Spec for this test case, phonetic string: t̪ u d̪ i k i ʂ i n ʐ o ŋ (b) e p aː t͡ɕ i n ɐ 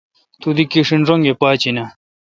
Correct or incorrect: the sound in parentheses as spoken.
incorrect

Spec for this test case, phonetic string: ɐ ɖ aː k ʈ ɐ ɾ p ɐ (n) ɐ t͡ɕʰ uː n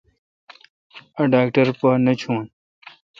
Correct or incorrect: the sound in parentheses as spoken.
correct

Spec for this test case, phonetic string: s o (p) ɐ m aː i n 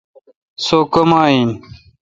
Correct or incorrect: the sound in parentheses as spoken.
incorrect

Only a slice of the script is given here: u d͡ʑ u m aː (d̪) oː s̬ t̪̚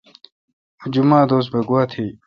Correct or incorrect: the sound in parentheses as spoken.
correct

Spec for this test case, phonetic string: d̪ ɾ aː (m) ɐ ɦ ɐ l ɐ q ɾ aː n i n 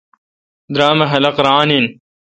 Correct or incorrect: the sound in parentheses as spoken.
correct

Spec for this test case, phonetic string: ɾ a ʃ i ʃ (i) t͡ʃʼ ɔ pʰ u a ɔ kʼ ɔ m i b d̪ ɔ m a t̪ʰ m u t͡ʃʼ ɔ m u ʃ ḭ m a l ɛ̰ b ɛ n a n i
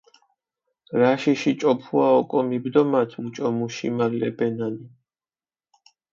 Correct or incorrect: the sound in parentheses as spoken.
correct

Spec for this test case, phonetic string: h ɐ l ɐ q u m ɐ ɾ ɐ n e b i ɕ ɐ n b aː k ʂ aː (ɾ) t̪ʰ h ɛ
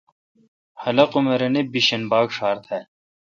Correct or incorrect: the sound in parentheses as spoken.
correct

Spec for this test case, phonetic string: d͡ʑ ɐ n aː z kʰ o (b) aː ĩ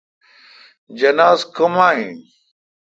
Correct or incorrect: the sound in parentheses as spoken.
incorrect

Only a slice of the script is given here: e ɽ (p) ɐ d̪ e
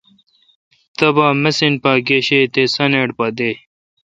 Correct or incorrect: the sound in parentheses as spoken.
correct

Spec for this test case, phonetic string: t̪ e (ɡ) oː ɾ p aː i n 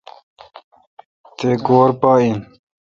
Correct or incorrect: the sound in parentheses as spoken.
correct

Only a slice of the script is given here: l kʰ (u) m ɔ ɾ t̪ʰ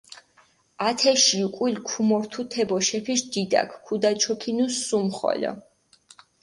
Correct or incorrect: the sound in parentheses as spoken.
correct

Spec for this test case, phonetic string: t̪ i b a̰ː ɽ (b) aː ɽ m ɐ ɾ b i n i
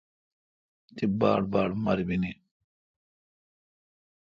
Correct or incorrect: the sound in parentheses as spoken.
correct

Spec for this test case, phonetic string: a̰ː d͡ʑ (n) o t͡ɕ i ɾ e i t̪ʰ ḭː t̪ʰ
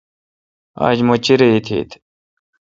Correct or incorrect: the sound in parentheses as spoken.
incorrect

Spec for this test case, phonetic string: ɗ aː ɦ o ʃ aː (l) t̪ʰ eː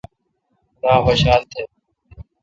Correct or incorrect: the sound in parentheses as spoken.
correct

